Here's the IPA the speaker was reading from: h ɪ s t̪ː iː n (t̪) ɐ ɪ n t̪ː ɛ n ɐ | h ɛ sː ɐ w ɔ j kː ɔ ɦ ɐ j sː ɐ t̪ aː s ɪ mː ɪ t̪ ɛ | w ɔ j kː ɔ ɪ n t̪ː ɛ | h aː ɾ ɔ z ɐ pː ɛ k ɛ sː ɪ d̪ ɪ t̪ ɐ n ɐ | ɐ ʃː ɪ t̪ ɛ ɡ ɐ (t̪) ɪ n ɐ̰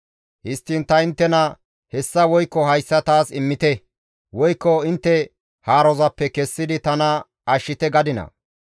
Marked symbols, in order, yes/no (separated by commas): yes, no